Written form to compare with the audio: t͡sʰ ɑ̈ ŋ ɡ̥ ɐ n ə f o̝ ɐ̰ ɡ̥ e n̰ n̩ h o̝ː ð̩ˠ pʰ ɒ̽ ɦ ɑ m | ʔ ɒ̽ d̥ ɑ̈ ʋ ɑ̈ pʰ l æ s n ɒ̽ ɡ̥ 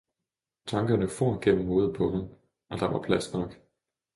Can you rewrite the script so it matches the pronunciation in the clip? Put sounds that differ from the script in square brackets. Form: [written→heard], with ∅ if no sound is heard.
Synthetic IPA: t͡sʰ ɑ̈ ŋ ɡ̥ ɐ n ə f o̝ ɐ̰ ɡ̥ e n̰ [n̩→m̩] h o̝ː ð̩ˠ pʰ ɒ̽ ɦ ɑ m | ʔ ɒ̽ d̥ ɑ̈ ʋ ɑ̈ pʰ l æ s n ɒ̽ ɡ̥